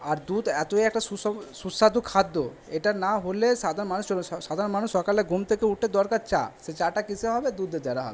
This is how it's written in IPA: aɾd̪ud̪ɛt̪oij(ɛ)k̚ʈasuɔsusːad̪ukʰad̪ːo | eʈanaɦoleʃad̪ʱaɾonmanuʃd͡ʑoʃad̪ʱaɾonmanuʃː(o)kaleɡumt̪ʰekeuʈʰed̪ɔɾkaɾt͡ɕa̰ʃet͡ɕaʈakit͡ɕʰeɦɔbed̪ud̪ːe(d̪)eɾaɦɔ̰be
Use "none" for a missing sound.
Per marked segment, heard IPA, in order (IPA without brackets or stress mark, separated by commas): ɛ, ɔ, d̪